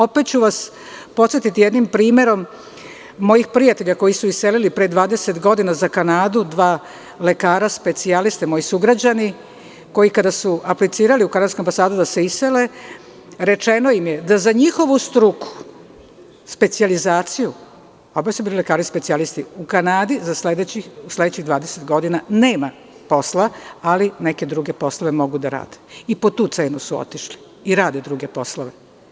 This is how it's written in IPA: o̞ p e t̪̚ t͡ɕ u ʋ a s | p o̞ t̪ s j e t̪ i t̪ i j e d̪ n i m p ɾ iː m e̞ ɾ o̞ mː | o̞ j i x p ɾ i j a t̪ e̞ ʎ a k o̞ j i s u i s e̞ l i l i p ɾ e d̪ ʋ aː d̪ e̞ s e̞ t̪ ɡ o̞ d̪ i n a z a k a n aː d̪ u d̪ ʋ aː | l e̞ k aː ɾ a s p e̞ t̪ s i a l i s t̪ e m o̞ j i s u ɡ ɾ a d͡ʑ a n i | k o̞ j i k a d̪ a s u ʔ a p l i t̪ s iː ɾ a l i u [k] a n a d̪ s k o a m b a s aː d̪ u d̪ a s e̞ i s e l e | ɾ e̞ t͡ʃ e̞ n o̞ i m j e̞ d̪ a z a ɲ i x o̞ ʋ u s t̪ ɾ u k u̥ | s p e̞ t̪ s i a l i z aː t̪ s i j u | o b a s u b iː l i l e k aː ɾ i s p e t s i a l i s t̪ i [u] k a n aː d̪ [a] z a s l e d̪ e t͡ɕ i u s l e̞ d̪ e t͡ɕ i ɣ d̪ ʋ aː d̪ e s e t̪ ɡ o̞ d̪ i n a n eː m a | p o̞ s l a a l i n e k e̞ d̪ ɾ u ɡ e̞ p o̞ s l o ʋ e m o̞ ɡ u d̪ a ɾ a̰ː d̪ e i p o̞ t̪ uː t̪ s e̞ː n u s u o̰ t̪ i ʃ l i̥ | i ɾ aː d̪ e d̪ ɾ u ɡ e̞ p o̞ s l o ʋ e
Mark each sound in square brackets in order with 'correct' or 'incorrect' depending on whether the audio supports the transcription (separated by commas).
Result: correct, correct, incorrect